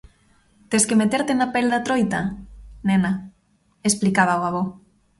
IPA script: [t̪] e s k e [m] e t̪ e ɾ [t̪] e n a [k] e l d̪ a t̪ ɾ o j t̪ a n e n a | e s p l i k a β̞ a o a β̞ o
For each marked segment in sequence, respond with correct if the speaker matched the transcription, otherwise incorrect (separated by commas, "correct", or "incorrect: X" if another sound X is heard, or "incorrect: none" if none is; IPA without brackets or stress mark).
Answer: correct, correct, correct, incorrect: p